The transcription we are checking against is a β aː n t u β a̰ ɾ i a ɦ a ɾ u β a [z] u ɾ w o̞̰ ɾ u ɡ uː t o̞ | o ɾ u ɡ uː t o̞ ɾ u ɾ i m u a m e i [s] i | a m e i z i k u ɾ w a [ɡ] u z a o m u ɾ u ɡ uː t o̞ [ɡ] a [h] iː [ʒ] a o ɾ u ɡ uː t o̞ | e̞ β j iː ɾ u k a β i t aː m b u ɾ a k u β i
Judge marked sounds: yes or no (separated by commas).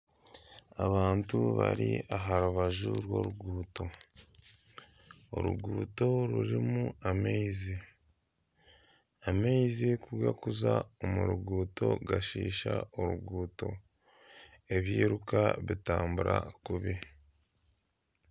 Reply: no, no, no, yes, no, no